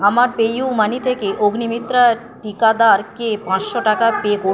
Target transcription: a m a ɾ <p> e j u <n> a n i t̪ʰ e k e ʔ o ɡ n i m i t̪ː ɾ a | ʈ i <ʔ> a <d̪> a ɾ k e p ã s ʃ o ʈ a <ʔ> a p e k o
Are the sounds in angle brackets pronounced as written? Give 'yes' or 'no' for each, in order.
yes, no, no, yes, no

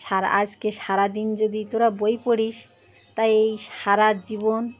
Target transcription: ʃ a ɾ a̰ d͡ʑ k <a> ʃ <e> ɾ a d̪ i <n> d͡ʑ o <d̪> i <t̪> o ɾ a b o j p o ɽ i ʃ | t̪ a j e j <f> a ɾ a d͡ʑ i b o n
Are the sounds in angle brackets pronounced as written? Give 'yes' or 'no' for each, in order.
no, no, yes, yes, yes, no

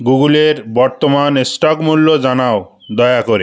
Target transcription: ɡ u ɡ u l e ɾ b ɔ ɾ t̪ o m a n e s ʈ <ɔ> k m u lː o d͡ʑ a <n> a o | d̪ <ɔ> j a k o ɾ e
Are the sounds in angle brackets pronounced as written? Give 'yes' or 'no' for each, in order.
yes, yes, yes

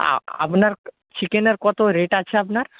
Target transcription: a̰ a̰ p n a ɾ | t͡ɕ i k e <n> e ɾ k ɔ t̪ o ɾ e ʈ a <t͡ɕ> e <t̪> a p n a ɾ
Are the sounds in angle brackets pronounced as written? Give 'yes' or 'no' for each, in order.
yes, no, no

